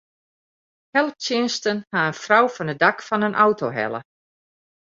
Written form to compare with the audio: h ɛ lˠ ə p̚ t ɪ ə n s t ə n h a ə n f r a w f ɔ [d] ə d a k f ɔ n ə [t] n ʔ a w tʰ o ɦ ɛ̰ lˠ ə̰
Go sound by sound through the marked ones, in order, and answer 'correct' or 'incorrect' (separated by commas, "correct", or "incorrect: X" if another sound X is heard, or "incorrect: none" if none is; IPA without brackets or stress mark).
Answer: incorrect: n, incorrect: none